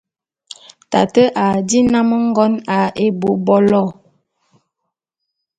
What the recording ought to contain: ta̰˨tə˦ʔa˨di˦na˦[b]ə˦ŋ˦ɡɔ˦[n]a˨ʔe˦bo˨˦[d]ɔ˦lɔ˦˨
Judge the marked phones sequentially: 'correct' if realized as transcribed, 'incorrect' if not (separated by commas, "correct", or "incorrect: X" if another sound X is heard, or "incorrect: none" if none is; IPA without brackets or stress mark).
incorrect: m, correct, incorrect: b